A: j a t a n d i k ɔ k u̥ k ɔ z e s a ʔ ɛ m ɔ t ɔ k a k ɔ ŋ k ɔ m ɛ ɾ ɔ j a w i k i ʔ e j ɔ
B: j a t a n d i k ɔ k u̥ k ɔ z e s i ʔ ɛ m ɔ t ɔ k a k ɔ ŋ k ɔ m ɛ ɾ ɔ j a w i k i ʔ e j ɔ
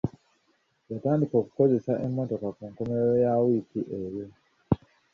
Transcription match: A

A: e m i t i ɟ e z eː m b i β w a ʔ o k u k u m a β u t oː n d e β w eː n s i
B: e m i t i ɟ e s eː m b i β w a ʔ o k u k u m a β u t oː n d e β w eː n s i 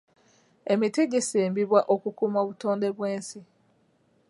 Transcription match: B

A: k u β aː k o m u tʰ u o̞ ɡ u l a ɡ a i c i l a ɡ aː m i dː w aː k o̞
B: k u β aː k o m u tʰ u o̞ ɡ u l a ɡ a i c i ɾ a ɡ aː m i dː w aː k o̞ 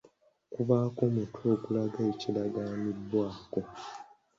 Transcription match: A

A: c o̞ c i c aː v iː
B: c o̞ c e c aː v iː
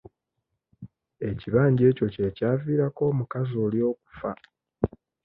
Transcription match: B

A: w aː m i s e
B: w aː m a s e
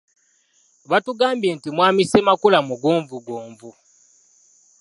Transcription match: A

